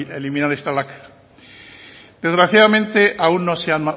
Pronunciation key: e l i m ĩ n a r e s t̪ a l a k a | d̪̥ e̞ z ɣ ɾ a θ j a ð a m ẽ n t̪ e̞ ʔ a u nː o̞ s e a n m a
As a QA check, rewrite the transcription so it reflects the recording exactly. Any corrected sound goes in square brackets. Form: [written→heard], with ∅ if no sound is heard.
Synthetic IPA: e l i m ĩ n a [r→ɾ] e s t̪ a l a k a | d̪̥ e̞ z ɣ ɾ a θ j a ð a m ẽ n t̪ e̞ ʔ a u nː o̞ s e a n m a